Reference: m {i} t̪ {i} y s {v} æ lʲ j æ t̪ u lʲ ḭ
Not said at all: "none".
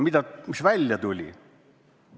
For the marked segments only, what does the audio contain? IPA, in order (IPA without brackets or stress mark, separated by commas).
i, æ, ʋ